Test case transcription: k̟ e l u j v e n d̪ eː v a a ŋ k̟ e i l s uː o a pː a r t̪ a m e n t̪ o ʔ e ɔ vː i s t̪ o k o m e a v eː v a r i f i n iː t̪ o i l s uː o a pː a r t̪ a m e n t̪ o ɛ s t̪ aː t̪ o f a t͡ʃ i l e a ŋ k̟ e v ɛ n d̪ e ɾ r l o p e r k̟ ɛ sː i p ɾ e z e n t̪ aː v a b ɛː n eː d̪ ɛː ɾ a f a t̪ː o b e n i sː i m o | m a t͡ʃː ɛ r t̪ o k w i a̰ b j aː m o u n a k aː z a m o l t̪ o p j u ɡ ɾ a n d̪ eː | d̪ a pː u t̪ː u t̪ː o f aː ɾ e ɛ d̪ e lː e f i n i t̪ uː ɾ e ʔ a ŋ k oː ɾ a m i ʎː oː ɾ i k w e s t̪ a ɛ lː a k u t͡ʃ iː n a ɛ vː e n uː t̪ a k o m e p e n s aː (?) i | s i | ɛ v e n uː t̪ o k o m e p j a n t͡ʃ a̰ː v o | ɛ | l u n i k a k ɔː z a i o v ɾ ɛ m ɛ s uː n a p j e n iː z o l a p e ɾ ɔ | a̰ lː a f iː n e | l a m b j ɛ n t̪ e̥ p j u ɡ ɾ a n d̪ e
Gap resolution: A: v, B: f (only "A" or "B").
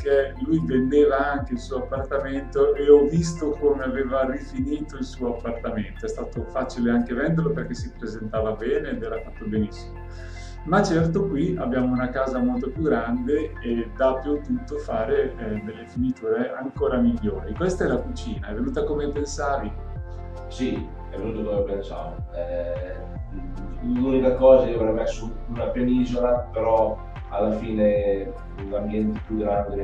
A